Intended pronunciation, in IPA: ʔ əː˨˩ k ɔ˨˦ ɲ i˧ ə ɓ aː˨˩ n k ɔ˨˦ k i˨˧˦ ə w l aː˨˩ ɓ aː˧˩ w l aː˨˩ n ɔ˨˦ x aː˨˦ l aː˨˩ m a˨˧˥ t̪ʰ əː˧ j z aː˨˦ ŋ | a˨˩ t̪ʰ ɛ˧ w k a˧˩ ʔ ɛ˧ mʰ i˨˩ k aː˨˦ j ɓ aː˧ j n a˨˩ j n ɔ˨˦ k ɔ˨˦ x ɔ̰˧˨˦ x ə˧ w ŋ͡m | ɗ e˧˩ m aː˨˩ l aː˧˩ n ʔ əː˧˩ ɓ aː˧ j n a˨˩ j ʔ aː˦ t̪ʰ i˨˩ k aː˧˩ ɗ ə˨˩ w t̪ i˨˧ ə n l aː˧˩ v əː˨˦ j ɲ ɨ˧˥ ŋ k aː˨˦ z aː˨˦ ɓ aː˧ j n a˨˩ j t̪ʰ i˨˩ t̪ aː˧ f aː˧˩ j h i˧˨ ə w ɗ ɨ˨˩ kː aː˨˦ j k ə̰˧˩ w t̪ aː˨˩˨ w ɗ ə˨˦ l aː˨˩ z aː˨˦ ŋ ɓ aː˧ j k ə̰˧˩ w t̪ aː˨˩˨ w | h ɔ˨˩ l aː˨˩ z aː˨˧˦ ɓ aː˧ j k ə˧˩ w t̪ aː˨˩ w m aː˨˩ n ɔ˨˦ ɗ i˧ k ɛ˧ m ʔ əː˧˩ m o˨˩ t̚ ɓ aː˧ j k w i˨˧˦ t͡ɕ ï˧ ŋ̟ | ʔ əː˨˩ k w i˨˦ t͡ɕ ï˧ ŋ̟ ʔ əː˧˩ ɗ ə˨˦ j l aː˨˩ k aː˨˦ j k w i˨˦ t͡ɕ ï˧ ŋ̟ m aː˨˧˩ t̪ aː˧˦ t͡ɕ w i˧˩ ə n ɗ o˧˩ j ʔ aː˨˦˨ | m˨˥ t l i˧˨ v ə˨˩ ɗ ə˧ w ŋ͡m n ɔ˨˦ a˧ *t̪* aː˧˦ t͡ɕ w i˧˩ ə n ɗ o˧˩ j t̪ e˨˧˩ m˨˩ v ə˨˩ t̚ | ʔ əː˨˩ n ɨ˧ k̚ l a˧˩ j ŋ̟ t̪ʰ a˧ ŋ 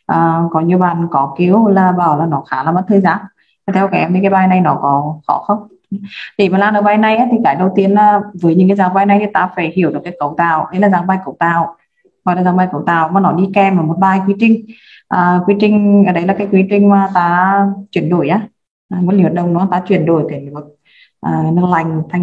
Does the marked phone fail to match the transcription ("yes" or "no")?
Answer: no